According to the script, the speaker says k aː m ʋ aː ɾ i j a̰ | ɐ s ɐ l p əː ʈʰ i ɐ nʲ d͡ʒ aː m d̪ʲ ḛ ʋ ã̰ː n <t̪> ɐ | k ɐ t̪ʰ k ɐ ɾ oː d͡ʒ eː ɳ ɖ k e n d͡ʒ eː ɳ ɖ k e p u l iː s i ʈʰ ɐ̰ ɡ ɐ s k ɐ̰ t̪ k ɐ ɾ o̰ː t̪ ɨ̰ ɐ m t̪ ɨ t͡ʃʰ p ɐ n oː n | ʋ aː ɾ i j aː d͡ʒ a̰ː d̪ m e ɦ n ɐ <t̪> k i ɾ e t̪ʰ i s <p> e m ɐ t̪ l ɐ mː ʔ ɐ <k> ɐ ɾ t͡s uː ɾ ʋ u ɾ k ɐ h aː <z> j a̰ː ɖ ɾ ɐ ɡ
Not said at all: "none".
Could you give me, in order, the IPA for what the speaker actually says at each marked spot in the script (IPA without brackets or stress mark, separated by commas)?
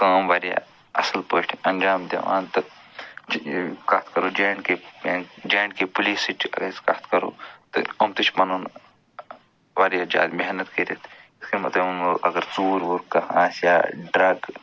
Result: t̪, t̪, k, ɡ, s